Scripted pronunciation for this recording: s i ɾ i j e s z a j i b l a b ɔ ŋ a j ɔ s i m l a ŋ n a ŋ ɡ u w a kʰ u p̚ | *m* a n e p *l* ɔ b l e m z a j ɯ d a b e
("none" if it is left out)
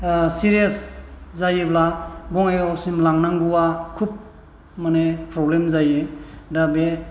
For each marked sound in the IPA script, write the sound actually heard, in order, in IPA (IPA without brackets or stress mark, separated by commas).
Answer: m, ɾ